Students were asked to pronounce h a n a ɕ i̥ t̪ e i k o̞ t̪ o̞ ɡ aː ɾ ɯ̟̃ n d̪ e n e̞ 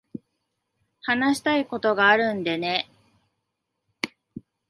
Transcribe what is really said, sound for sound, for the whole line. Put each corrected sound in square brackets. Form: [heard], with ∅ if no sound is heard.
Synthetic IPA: h a n a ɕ i̥ t̪ [a] i k o̞ t̪ o̞ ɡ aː ɾ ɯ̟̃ n d̪ e n e̞